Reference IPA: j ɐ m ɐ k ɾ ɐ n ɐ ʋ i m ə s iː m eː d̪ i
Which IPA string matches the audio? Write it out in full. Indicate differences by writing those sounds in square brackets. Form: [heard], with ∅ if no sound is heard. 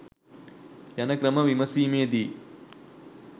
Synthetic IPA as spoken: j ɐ [n] ɐ k ɾ ɐ [m] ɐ ʋ i m [ɐ] s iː m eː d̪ i